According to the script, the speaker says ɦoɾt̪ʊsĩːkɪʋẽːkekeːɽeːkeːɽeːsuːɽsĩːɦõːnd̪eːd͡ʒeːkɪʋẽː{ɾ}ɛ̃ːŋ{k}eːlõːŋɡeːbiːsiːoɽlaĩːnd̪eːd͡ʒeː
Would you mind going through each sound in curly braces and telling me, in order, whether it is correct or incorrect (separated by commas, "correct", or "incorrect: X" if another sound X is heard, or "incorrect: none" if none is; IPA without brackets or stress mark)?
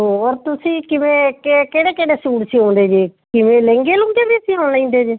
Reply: incorrect: l, incorrect: ɡ